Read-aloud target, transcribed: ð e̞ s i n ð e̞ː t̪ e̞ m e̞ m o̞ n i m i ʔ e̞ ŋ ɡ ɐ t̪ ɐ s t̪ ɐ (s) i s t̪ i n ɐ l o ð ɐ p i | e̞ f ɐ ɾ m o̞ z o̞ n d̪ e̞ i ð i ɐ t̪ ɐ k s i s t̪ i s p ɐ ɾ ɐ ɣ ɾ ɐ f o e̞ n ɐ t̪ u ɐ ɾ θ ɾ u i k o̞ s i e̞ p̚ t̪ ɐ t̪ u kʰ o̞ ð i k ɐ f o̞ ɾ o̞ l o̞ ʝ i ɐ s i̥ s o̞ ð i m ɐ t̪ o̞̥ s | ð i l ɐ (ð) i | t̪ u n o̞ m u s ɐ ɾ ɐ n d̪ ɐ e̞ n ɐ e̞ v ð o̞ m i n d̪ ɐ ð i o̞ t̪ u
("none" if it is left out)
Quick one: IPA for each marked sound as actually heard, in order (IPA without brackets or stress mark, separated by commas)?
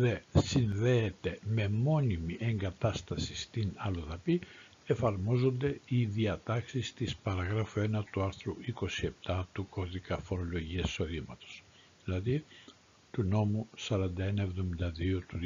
s, ð